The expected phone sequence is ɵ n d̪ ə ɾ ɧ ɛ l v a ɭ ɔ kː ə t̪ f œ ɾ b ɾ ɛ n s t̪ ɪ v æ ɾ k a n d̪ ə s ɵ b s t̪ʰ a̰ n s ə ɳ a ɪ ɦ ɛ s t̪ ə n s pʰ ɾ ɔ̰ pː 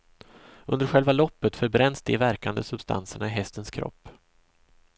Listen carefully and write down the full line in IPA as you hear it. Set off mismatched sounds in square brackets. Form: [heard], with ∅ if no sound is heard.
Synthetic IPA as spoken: ɵ n d̪ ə ɾ ɧ ɛ l v a [l] ɔ [pː] ə t̪ f œ ɾ b ɾ ɛ n s [d̪] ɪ v æ ɾ k a n d̪ ə s ɵ b s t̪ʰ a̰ n s ə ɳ a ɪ ɦ ɛ s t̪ ə n s [kʰ] ɾ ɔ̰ pː